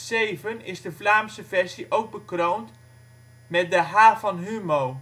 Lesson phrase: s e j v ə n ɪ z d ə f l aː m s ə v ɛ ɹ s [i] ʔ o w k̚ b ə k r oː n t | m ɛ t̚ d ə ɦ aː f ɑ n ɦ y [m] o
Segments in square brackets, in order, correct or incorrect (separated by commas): correct, correct